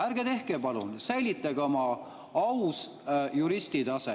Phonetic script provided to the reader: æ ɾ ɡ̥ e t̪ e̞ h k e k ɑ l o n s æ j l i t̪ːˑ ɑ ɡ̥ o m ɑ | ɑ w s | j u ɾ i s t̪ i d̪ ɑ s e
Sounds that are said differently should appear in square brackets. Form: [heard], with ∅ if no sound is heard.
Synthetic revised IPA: æ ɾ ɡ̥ e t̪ e̞ h k e [p] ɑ l [u] n s æ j l i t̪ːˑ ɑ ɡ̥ o m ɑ | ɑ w s | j u ɾ i s t̪ i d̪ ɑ s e